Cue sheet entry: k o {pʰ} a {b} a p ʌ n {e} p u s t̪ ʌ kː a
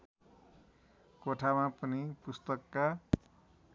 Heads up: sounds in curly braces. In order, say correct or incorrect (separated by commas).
incorrect, incorrect, incorrect